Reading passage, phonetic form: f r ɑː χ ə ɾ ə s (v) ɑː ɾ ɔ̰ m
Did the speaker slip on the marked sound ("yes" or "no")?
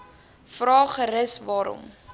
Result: no